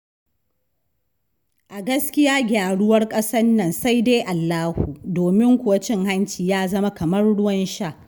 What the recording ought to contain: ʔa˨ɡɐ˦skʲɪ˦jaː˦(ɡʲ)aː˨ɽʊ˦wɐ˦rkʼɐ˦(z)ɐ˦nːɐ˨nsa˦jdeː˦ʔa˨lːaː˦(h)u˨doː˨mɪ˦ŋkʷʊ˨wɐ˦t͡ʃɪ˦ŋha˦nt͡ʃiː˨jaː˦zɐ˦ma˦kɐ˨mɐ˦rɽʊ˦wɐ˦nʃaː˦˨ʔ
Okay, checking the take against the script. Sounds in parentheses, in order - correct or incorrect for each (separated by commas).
correct, incorrect, correct